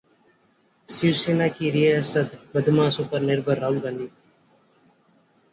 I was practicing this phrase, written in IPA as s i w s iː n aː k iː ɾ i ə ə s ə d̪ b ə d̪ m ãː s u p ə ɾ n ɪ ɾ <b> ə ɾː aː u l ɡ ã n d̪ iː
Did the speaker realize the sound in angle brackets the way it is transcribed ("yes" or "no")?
yes